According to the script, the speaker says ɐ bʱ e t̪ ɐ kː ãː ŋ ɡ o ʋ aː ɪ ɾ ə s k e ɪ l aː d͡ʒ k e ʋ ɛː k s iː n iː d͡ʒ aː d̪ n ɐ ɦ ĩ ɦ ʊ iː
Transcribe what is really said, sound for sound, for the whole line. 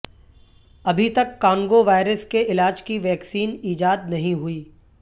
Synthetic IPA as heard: ɐ bʱ i t̪ ɐ kː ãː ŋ ɡ o ʋ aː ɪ ɾ ə s k e ɪ l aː d͡ʒ k i ʋ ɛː k s iː n iː d͡ʒ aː d̪ n ɐ ɦ ĩ ɦ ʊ iː